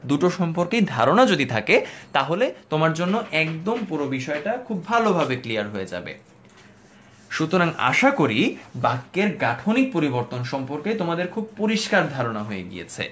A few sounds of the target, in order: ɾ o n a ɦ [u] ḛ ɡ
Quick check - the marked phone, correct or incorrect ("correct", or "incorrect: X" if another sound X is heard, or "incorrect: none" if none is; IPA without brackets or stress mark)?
incorrect: o